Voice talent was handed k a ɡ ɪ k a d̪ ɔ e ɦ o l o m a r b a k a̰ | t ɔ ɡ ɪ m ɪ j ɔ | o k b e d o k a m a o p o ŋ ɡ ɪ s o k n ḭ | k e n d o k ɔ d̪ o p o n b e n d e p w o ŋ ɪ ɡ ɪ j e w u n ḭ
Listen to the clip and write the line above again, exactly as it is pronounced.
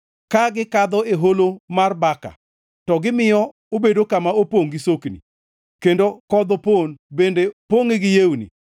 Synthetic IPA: k a ɡ ɪ k a d̪ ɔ e ɦ o l o m a r b a k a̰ | t ɔ ɡ ɪ m ɪ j ɔ | o b e d o k a m a o p o ŋ ɡ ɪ s o k n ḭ | k e n d o k ɔ d̪ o p o n b e n d e p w o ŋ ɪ ɡ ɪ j e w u n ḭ